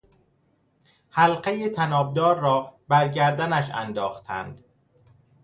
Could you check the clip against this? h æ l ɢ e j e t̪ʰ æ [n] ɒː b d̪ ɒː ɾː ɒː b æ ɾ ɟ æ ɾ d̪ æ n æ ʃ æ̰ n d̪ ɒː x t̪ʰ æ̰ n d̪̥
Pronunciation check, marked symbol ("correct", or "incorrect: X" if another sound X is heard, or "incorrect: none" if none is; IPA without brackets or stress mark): correct